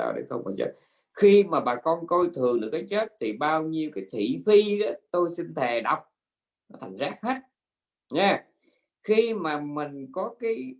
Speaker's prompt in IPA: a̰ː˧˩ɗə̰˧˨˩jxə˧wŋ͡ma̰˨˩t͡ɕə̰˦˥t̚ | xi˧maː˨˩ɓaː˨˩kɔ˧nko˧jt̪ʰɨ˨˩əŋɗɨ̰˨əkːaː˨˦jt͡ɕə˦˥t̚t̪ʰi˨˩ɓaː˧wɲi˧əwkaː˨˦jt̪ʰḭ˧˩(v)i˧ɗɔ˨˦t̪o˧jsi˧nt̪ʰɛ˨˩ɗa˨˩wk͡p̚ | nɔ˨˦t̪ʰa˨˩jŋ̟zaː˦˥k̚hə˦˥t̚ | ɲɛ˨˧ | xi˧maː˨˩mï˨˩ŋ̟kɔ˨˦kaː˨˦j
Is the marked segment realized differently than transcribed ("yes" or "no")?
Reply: yes